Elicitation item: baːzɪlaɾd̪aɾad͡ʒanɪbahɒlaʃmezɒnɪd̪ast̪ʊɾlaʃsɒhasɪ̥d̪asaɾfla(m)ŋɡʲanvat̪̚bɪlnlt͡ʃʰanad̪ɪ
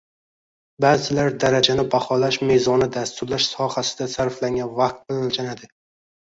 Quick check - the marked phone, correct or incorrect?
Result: incorrect